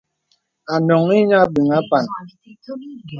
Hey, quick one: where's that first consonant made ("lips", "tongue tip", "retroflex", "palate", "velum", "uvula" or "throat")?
tongue tip